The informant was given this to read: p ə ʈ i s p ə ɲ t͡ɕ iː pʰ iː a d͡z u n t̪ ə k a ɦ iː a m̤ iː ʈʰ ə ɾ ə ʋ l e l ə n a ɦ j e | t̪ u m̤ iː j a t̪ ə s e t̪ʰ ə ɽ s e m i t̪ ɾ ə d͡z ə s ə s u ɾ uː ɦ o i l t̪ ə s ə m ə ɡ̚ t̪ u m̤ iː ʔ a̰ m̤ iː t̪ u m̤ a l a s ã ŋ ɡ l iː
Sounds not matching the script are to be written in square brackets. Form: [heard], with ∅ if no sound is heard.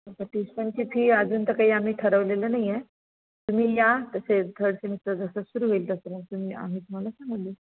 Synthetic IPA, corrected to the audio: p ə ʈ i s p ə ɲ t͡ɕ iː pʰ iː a d͡z [uː] n t̪ ə k a ɦ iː a m̤ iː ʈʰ ə ɾ ə ʋ l e l ə n a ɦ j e | t̪ u m̤ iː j a t̪ ə s e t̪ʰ ə ɽ s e m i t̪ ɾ ə d͡z ə s ə s u ɾ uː ɦ o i l t̪ ə s ə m ə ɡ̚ t̪ u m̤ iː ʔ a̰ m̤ iː t̪ u m̤ a l a s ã ŋ ɡ l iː